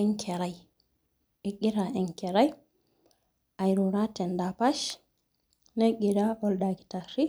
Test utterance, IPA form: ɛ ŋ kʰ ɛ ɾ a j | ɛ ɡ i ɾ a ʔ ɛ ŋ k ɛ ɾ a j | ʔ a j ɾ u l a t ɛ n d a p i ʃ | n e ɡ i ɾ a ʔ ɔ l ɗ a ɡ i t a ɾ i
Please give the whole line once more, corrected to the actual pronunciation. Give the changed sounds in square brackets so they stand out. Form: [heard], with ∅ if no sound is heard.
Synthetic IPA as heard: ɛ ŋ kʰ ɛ ɾ a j | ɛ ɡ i ɾ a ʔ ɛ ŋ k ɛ ɾ a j | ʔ a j ɾ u [ɾ] a t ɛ n d a p [a] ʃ | n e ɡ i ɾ a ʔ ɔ l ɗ a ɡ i t a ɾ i